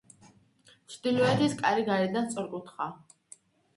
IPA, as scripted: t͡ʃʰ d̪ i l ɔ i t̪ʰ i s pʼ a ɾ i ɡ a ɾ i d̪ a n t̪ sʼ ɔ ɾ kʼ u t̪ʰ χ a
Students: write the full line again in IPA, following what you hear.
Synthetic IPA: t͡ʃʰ d̪ i l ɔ ɛ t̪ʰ i s kʼ a ɾ i ɡ a ɾ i d̪ a n t̪ sʼ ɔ ɾ kʼ u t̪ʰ χ a